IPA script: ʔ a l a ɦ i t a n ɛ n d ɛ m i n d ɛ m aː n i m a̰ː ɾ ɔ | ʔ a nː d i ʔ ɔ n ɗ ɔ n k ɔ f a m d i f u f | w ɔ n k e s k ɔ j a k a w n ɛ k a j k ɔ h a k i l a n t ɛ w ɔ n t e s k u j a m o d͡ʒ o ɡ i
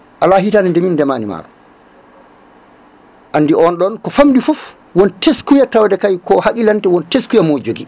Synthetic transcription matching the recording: ʔ a l a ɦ i t a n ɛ n d ɛ m i n d ɛ m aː n i m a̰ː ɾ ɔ | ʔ a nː d i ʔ ɔ n ɗ ɔ n k ɔ f a m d i f u f | w ɔ n t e s k u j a t a w d ɛ k a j k ɔ h a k i l a n t ɛ w ɔ n t e s k u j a m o d͡ʒ o ɡ i

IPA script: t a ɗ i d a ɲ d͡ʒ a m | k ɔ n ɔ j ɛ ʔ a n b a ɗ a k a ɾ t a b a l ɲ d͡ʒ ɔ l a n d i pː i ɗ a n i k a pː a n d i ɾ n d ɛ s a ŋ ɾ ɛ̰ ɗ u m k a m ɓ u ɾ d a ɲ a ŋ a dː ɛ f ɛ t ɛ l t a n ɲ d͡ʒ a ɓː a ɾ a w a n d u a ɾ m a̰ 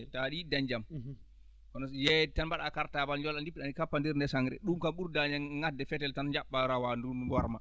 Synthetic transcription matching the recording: t a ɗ i d a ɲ d͡ʒ a m | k ɔ n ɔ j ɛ t a n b a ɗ a k a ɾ t a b a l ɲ d͡ʒ ɔ l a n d i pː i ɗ a n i k a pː a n d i ɾ n d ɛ s a ŋ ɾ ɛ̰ ɗ u m k a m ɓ u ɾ d a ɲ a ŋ a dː ɛ f ɛ t ɛ l t a n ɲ d͡ʒ a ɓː a ɾ a w a n d u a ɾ m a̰

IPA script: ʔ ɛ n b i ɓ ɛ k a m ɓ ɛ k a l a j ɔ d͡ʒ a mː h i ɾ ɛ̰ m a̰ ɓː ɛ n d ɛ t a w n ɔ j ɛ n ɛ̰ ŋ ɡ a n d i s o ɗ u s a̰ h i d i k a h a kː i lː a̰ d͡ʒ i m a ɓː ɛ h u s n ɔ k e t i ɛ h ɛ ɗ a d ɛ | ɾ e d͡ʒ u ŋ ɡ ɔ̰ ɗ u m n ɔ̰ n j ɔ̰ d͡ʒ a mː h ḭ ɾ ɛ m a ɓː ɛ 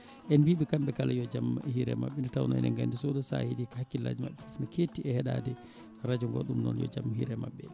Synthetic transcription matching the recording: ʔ ɛ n b i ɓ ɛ k a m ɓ ɛ k a l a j ɔ d͡ʒ a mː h i ɾ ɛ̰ m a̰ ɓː ɛ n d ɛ t a w n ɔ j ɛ n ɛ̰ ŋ ɡ a n d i s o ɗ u s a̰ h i d i k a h a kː i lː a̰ d͡ʒ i m a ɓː ɛ f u f n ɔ k e t i ɛ h ɛ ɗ a d ɛ | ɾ a d͡ʒ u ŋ ɡ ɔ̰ ɗ u m n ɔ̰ n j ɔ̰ d͡ʒ a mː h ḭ ɾ ɛ m a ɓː ɛ

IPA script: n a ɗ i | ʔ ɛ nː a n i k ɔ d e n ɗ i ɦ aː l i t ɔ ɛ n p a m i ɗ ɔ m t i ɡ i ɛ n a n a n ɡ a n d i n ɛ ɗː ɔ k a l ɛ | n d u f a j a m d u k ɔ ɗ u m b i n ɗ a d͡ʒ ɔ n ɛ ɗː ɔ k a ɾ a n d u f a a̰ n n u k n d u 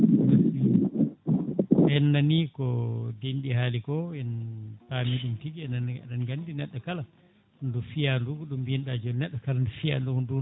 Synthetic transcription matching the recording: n a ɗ i | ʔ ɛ nː a n i k ɔ d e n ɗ i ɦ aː l i k ɔ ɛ n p a m i ɗ u m t i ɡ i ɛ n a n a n ɡ a n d i n ɛ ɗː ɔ k a l a | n d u f i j a n d u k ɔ ɗ u m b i n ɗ a d͡ʒ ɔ n ɛ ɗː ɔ k a l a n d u f i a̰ n d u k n d u

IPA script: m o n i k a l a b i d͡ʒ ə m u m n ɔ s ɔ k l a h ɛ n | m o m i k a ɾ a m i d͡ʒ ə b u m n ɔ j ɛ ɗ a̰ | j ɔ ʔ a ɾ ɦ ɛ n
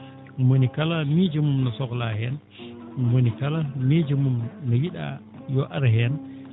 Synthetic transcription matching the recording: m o n i k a l a m i d͡ʒ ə m u m n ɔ s ɔ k l a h ɛ n | m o n i k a l a m i d͡ʒ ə m u m n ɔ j i ɗ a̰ | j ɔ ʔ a ɾ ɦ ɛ n

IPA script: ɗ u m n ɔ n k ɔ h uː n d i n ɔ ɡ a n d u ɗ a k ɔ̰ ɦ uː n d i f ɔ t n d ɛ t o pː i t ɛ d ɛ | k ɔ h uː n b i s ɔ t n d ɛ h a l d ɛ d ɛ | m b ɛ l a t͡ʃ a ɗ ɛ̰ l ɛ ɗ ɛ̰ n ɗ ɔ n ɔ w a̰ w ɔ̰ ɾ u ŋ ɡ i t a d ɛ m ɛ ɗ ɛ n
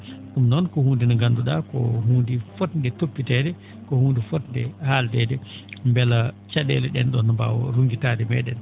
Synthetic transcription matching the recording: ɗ u m n ɔ n k ɔ h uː n d i n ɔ ɡ a n d u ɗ a k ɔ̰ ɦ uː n d i f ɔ t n d ɛ t o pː i t ɛ d ɛ | k ɔ h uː n d i f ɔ t n d ɛ h a l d ɛ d ɛ | m b ɛ l a t͡ʃ a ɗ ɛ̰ l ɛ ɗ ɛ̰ n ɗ ɔ n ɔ b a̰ w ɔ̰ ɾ u ŋ ɡ i t a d ɛ m ɛ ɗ ɛ n

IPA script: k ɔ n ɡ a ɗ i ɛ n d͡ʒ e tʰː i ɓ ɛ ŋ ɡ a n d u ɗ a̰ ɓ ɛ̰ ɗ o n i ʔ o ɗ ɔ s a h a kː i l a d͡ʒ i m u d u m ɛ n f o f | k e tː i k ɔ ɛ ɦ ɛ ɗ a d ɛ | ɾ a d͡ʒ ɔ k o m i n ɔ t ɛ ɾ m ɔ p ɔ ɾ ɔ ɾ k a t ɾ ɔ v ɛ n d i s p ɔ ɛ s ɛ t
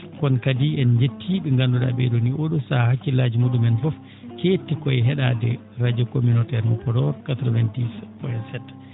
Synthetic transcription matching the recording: k ɔ n k a d i ɛ n d͡ʒ e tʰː i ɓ ɛ ŋ ɡ a n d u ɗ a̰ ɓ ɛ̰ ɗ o n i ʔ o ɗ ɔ s a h a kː i l a d͡ʒ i m u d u m ɛ n f ɔ f | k e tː i k ɔ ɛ ɦ ɛ ɗ a d ɛ | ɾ a d͡ʒ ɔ k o m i n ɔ t ɛ ɾ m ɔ p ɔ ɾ ɔ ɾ k a t ɾ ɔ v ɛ n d i s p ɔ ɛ s ɛ t

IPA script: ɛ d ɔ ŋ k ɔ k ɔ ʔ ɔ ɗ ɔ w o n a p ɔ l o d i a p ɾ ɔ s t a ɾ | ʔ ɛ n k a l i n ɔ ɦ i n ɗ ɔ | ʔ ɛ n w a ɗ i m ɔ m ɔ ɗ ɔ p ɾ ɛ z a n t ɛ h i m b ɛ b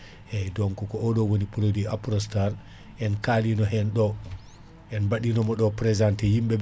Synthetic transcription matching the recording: ɛ d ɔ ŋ k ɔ k ɔ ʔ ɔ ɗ ɔ w o n i p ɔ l o d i a p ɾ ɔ s t a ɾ | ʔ ɛ n k a l i n ɔ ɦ ɛ n ɗ ɔ | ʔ ɛ n b a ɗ i n ɔ m ɔ ɗ ɔ p ɾ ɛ z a n t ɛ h i m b ɛ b

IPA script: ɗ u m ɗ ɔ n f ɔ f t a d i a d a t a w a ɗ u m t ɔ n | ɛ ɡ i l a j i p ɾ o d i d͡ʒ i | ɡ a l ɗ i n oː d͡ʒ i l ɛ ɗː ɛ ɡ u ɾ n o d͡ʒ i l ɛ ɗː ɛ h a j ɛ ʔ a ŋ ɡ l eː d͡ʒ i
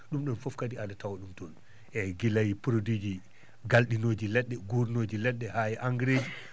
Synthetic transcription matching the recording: ɗ u m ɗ ɔ n f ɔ f k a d i a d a t a w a ɗ u m t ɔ n | ɛ ɡ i l a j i p ɾ o d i d͡ʒ i | ɡ a l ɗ i n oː d͡ʒ i l ɛ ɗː ɛ ɡ u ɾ n o d͡ʒ i l ɛ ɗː ɛ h a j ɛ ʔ a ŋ ɡ ɾ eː d͡ʒ i

